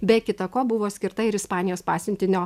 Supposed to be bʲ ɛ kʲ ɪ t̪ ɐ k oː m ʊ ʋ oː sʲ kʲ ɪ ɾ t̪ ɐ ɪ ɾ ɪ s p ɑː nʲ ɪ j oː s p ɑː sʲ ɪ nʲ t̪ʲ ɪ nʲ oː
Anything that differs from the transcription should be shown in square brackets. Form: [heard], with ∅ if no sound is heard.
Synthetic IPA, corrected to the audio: bʲ ɛ kʲ ɪ t̪ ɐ k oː [b] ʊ ʋ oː sʲ kʲ ɪ ɾ t̪ ɐ ɪ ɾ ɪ s p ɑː nʲ ɪ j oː s p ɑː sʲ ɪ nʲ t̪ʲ ɪ nʲ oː